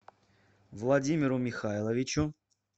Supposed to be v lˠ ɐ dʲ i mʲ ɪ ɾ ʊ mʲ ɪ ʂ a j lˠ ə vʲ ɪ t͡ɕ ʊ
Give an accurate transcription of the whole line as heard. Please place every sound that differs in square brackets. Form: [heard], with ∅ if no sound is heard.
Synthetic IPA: v lˠ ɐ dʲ i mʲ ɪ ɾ ʊ mʲ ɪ [x] a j lˠ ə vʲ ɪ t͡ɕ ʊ